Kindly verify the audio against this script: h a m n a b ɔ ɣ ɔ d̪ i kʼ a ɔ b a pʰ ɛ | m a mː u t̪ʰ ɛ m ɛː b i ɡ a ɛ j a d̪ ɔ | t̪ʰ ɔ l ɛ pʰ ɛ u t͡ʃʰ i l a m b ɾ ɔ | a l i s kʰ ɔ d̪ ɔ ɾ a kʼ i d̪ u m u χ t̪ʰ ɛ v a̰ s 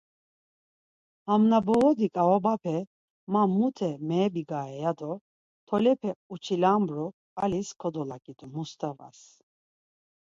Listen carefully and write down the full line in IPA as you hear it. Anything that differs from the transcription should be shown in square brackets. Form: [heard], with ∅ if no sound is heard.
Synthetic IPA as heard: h a m n a b ɔ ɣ ɔ d̪ i kʼ a ɔ b a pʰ ɛ | m a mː u t̪ʰ ɛ m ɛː b i ɡ a ɛ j a d̪ ɔ | t̪ʰ ɔ l ɛ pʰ ɛ u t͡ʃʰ i l a m b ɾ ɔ | a l i s kʰ ɔ d̪ ɔ [l] a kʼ i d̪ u m u [s] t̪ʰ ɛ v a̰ s